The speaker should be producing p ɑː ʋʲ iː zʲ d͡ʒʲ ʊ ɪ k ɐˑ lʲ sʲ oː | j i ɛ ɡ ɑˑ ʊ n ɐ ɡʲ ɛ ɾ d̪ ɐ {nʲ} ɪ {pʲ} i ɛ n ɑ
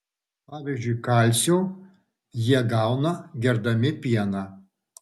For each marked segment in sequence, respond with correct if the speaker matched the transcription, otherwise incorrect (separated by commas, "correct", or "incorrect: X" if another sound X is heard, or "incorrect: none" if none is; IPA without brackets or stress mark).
incorrect: mʲ, correct